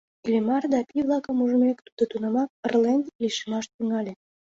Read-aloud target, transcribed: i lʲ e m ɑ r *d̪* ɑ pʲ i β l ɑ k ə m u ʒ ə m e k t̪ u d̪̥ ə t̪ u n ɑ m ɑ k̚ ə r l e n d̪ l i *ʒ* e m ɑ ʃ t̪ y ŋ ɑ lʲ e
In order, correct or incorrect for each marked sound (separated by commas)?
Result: correct, incorrect